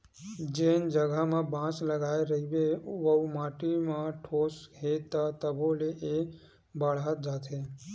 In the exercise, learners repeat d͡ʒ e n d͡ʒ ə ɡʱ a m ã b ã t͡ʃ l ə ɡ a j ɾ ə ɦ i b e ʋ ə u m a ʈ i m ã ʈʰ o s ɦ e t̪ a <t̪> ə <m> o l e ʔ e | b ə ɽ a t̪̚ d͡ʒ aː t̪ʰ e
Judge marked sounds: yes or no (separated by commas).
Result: yes, no